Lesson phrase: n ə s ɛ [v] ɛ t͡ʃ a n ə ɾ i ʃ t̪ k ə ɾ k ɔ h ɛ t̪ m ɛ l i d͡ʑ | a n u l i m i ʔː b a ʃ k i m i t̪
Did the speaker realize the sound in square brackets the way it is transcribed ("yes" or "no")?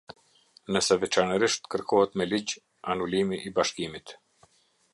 yes